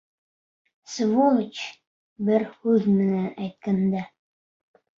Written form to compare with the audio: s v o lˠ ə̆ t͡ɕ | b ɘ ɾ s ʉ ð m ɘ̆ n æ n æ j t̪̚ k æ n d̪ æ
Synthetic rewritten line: s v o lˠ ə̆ t͡ɕ | b ɘ ɾ h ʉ ð m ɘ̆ n æ n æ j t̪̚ k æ n d̪ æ